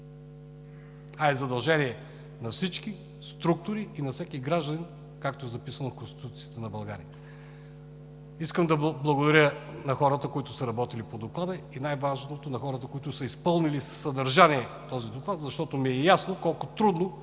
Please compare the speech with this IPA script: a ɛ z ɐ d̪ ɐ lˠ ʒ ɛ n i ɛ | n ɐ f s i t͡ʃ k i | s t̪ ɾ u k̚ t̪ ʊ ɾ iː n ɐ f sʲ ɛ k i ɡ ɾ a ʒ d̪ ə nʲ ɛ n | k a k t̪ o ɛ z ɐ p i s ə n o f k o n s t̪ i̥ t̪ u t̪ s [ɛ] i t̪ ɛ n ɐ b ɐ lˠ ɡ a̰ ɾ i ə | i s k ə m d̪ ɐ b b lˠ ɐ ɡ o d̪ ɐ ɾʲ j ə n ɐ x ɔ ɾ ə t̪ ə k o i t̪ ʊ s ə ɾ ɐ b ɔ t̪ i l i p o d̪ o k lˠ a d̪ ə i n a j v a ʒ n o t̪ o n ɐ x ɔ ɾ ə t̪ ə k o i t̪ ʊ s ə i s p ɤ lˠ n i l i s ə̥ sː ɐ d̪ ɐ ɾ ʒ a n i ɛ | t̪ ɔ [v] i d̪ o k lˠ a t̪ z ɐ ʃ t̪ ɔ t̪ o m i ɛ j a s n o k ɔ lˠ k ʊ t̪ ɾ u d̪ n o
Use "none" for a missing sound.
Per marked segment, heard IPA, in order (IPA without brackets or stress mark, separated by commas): i, z